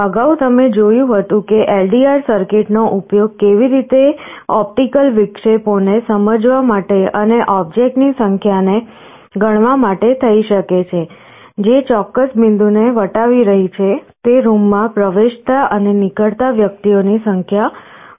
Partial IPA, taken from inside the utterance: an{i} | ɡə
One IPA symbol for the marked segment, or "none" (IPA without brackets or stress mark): e